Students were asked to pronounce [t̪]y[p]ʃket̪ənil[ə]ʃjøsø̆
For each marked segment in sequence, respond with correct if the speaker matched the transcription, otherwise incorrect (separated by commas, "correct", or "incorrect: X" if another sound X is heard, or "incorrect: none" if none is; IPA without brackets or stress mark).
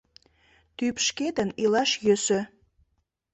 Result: correct, correct, incorrect: ɑ